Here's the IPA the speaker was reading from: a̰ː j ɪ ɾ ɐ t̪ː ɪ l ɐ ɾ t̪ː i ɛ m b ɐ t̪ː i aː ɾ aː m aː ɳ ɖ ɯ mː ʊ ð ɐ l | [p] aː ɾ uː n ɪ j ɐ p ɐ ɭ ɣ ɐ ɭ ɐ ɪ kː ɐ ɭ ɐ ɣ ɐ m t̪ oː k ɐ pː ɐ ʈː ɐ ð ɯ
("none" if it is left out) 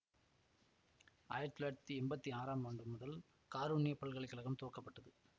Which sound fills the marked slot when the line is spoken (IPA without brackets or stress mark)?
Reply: k